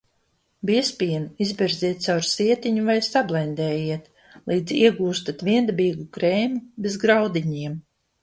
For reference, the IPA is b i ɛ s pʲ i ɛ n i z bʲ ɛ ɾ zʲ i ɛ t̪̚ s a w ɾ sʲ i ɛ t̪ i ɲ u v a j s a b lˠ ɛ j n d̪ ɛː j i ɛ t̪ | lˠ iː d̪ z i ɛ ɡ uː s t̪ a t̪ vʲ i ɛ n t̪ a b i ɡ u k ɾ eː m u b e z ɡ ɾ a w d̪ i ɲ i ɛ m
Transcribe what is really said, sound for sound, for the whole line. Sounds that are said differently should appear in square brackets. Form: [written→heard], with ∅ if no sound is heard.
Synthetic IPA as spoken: b i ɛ s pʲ i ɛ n i z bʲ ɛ ɾ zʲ i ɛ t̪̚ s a w ɾ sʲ i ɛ t̪ i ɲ u v a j s a b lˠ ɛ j n d̪ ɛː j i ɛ t̪ | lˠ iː d̪ z i ɛ ɡ uː s t̪ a t̪ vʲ i ɛ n [t̪→d̪] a b [i→iː] ɡ u k ɾ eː m u b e z ɡ ɾ a w d̪ i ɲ i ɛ m